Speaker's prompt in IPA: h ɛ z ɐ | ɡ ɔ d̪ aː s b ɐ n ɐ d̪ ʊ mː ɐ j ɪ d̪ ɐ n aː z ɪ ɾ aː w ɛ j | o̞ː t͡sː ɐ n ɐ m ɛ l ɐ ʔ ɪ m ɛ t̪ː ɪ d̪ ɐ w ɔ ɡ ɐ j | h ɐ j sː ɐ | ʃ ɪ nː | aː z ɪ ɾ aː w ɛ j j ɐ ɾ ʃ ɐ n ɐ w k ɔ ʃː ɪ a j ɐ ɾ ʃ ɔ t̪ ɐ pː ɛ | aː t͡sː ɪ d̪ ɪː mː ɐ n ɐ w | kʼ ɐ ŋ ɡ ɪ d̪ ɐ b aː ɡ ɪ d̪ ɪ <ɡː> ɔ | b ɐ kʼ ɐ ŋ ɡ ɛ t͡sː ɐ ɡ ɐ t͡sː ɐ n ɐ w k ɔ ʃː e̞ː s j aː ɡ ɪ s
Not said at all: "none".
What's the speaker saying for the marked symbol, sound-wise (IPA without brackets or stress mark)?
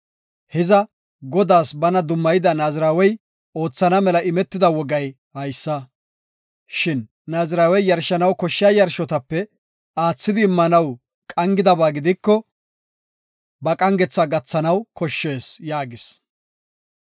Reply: kː